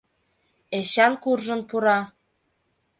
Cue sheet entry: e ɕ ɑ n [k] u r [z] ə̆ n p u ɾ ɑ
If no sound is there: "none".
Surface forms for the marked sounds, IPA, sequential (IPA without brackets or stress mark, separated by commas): k, ʒ